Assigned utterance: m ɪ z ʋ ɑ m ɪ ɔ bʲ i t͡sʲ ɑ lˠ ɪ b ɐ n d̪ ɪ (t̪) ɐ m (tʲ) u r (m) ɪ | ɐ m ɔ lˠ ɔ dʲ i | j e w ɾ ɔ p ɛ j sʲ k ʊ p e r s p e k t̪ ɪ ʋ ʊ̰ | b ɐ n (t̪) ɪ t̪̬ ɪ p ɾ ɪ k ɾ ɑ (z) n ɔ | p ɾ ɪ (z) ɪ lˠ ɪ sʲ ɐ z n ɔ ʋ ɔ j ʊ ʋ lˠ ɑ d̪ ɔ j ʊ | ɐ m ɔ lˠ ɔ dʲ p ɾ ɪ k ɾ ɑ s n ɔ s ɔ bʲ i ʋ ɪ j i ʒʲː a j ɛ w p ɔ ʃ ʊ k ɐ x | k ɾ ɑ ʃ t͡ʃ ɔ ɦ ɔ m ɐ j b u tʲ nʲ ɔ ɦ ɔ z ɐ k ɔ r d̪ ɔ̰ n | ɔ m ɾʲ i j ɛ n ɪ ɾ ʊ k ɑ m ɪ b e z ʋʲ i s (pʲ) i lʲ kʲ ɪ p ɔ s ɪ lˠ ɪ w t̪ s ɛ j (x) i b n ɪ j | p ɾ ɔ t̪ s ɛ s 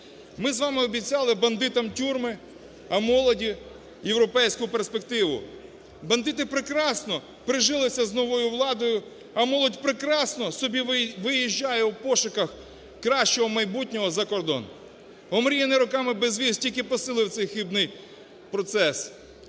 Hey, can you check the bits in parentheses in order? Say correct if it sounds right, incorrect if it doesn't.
correct, correct, correct, incorrect: d̪, incorrect: s, incorrect: ʒ, incorrect: tʲ, correct

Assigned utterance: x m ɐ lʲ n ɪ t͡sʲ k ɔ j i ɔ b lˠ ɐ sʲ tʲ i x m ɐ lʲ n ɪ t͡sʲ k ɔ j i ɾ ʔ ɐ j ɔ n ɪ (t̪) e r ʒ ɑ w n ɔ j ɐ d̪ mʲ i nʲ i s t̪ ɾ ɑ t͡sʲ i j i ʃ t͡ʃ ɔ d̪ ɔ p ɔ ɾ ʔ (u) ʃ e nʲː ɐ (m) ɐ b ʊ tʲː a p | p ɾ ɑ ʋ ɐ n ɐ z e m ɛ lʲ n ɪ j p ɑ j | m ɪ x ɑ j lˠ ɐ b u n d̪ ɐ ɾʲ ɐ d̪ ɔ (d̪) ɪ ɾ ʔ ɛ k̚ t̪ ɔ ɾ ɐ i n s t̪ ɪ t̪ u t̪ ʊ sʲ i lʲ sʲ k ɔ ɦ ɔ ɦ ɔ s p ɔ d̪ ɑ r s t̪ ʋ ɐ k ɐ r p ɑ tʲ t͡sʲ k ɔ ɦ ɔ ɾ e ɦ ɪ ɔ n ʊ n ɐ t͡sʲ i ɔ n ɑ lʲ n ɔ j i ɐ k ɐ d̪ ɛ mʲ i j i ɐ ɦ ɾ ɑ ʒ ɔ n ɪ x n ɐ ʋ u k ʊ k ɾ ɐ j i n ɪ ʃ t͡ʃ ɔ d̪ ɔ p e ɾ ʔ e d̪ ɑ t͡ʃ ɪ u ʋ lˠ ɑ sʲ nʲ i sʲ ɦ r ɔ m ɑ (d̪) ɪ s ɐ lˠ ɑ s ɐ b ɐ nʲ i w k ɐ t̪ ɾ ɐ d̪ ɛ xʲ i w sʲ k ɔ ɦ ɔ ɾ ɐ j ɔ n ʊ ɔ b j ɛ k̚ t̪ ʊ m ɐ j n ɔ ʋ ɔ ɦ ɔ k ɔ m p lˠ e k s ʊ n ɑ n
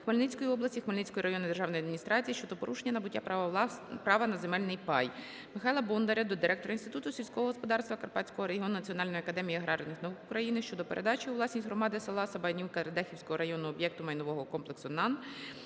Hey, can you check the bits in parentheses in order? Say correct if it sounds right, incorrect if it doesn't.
incorrect: d̪, correct, incorrect: n, correct, correct

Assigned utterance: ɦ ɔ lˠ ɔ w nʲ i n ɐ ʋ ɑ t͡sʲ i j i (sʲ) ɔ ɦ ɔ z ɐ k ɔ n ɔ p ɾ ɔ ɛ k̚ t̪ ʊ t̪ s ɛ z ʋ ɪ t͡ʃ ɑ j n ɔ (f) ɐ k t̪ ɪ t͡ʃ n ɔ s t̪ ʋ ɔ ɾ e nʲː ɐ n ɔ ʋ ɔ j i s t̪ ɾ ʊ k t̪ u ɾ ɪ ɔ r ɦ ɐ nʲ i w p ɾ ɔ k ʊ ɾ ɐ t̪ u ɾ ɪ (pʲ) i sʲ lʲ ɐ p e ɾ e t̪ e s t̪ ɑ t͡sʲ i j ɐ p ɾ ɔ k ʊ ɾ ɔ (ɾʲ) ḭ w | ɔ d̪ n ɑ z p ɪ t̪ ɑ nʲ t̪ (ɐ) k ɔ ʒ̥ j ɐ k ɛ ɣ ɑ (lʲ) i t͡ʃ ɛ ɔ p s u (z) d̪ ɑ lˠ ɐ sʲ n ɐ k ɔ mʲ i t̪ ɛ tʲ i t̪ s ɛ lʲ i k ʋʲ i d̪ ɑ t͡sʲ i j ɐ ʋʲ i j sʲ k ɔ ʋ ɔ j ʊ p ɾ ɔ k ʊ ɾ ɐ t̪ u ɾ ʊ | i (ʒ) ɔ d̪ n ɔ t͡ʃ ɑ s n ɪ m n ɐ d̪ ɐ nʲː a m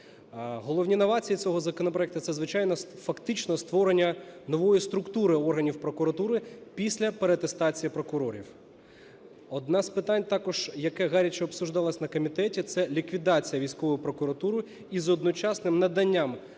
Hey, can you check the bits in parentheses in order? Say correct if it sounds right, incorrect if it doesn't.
incorrect: t͡sʲ, correct, correct, correct, incorrect: ɑ, incorrect: ɾʲ, incorrect: ʒ, incorrect: z

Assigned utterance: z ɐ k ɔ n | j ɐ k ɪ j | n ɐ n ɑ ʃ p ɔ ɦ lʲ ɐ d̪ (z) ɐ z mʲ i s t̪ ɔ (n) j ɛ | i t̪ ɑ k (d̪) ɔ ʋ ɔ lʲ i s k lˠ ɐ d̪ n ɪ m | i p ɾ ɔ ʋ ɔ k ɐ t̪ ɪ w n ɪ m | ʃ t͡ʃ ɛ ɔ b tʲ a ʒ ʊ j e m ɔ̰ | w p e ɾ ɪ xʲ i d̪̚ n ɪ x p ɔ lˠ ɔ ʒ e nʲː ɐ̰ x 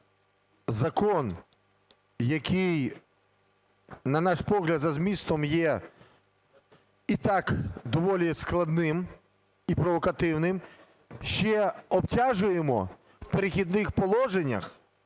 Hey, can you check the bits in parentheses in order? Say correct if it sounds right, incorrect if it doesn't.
correct, incorrect: m, correct

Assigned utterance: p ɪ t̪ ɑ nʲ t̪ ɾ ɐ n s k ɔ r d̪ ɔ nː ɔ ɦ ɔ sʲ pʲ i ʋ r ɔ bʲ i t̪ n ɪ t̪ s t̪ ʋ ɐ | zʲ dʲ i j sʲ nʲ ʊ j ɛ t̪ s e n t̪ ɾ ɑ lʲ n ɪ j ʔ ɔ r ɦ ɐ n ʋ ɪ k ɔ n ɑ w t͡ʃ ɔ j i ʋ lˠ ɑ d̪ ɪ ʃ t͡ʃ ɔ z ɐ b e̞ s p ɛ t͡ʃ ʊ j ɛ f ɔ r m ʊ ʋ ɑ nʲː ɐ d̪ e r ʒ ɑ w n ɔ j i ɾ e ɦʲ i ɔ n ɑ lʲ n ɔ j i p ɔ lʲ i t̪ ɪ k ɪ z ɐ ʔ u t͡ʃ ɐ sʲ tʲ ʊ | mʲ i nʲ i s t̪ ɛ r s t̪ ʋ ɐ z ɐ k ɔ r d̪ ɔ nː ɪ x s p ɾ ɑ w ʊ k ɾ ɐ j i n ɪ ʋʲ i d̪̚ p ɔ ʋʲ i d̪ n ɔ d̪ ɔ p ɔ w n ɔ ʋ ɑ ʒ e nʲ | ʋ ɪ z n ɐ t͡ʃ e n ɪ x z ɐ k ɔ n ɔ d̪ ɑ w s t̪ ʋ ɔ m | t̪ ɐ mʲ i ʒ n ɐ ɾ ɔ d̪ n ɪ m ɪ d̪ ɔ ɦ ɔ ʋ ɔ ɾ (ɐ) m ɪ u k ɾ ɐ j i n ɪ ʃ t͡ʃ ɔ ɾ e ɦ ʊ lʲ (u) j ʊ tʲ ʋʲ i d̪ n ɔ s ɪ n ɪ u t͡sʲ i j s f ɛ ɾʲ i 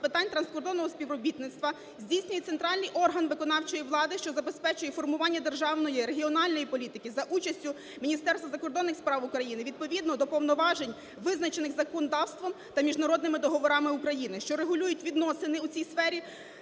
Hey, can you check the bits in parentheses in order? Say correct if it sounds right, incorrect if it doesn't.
incorrect: ɑ, correct

